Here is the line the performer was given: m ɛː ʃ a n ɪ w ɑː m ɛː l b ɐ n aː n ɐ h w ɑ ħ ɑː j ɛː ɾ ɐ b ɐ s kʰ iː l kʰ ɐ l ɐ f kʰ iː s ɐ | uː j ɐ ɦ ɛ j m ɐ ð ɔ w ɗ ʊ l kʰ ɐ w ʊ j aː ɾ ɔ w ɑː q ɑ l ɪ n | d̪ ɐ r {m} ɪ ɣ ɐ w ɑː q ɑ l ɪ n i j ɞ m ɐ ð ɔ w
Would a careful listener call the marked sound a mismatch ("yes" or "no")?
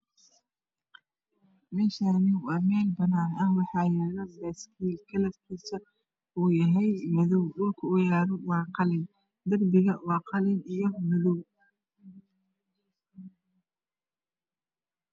yes